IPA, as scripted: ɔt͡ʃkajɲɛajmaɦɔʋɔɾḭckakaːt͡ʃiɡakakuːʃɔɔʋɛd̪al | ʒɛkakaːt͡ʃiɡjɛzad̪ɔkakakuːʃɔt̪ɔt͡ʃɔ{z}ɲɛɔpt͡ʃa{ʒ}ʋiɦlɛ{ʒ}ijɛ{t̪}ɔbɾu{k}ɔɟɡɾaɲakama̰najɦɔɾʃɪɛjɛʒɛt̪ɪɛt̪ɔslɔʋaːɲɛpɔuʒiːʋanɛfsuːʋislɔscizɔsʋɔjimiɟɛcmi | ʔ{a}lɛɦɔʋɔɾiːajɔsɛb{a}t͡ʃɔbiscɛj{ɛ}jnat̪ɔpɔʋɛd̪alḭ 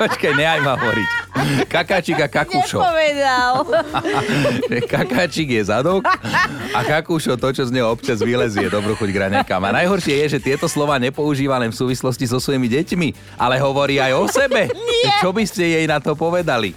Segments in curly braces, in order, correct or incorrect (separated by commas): correct, incorrect, incorrect, incorrect, incorrect, correct, incorrect, correct